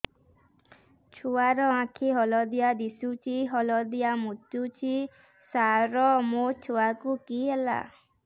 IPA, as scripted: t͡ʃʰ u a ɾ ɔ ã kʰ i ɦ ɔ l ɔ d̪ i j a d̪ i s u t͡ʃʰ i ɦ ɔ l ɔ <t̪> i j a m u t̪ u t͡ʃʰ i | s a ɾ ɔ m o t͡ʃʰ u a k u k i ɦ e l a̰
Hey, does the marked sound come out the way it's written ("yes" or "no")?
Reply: no